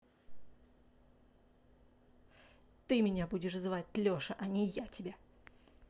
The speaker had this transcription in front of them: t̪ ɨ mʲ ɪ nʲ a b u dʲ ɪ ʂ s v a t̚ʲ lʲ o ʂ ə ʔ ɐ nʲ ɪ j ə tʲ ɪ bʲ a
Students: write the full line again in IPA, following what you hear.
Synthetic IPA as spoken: t̪ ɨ mʲ ɪ nʲ a b u dʲ ɪ ʂ z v a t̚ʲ lʲ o ʂ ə ʔ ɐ nʲ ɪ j a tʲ ɪ bʲ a